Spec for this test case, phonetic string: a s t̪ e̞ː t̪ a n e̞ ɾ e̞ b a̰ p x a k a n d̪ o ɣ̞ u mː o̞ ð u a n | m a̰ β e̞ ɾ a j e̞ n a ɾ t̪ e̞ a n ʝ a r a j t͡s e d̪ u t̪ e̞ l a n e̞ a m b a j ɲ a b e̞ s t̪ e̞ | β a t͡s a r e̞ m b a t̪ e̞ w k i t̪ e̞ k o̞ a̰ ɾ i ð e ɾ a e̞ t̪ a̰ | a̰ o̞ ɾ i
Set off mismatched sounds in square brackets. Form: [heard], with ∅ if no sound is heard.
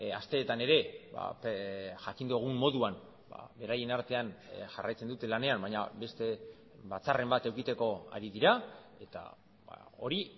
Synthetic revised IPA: a s t̪ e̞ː t̪ a n e̞ ɾ e̞ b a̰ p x a k [i] n d̪ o ɣ̞ u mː o̞ ð u a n | [b] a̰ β e̞ ɾ a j e̞ n a ɾ t̪ e̞ a n ʝ a r a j t͡s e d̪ u t̪ e̞ l a n e̞ a m b a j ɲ a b e̞ s t̪ e̞ | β a t͡s a r e̞ m b a t̪ e̞ w k i t̪ e̞ k o̞ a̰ ɾ i ð [i] ɾ a e̞ t̪ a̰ | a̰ o̞ ɾ i